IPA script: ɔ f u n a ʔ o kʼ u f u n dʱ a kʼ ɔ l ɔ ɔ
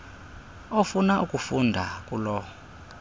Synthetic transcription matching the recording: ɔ f u n a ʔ u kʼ u f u n dʱ a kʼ u l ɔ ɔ